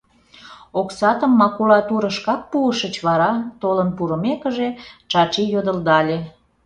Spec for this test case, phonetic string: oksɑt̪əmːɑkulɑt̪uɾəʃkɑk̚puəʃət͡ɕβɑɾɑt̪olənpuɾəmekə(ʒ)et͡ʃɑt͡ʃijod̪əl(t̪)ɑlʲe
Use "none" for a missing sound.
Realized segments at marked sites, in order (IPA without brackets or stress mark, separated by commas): ʒ, d̪